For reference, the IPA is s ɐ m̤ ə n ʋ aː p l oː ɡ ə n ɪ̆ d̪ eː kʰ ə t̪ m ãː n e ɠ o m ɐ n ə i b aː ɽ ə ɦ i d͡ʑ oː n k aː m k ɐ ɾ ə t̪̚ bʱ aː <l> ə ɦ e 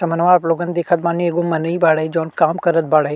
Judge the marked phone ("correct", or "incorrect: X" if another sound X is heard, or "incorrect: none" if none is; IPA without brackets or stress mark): incorrect: ɽ